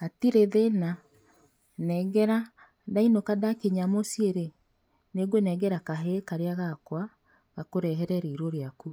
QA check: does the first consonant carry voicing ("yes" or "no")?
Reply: no